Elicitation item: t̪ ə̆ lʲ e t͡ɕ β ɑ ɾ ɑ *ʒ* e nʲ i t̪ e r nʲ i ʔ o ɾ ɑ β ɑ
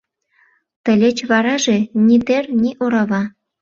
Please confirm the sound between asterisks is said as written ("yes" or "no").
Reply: yes